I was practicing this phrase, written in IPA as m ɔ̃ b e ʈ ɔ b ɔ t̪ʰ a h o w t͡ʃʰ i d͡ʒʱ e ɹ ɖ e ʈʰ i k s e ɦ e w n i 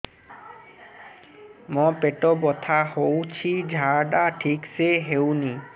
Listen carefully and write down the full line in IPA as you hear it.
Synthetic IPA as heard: m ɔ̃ p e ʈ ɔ b ɔ t̪ʰ a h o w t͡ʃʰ i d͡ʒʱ a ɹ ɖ a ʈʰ i k s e ɦ e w n i